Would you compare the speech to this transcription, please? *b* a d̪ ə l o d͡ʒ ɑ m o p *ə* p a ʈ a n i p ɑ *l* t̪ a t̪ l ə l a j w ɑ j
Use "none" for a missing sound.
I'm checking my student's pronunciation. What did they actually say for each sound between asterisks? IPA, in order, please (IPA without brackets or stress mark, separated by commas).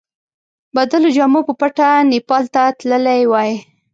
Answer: b, ə, l